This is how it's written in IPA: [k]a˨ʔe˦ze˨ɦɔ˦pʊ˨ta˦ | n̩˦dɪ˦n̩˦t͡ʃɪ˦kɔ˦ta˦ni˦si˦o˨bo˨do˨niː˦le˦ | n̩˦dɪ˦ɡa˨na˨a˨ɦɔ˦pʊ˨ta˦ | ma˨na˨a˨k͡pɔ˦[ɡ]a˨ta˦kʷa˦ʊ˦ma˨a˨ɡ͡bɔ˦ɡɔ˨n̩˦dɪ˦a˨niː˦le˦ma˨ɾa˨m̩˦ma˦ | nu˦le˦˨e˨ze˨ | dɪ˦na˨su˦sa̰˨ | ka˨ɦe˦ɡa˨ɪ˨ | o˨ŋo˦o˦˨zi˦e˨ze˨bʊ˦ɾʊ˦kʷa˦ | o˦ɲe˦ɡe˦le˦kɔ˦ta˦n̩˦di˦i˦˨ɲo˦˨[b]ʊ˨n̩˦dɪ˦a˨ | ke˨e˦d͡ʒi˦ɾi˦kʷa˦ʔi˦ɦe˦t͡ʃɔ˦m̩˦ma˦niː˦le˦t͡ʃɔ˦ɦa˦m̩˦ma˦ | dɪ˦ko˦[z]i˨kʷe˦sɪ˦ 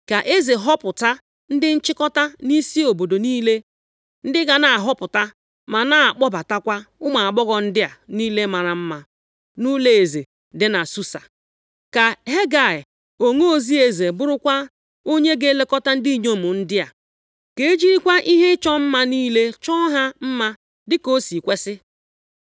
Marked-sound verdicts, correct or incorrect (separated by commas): correct, incorrect, incorrect, incorrect